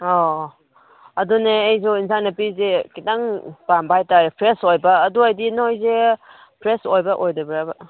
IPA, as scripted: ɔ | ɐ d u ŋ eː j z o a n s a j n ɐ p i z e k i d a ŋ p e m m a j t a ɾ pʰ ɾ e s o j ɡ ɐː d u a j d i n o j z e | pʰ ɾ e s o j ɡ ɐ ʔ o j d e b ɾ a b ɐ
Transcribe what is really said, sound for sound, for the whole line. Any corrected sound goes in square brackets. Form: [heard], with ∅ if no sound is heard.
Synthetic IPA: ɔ | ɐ d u [n] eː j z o [i] n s a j n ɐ p i z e k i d a ŋ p [a] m [b] a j t a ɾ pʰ ɾ e s o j [b] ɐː d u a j d i n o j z e | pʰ ɾ e s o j [b] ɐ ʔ o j d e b ɾ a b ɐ